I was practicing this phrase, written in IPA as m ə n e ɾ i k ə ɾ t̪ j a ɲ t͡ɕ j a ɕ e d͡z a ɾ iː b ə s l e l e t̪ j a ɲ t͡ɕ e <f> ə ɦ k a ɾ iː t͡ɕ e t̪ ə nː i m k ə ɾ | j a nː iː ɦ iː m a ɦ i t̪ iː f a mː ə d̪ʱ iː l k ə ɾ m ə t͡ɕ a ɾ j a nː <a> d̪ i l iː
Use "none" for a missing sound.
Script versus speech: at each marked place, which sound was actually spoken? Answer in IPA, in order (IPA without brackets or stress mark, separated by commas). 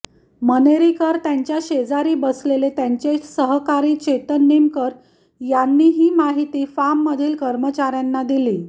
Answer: s, a